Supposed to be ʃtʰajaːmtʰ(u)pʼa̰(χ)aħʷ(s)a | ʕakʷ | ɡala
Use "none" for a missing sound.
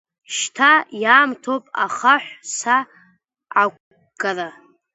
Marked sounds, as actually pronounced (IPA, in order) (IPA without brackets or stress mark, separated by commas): o, χ, s